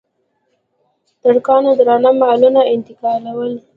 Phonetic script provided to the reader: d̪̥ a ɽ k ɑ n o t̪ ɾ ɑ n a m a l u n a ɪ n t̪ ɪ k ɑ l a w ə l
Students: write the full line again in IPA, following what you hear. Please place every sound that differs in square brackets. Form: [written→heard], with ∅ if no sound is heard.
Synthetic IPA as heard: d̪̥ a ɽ k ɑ n o [t̪→d̪] ɾ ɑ n a m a l u n a ɪ n t̪ ɪ k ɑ l a w ə l